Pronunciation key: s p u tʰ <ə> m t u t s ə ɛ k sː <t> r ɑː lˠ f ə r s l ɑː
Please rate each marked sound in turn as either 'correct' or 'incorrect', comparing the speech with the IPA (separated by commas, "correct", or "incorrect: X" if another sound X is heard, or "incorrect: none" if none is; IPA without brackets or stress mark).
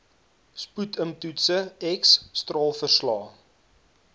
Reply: correct, correct